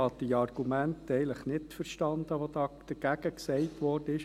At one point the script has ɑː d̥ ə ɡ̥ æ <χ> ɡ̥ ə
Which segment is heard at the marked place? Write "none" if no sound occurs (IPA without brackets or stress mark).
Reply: none